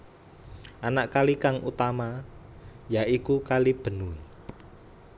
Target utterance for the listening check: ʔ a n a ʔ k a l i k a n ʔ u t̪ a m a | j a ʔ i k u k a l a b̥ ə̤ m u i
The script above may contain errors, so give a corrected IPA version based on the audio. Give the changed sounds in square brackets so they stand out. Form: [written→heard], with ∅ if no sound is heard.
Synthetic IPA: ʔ a n a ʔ k a l i k a [n→ŋ] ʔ u t̪ a m a | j a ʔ i k u k a l [a→i] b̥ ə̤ [m→n] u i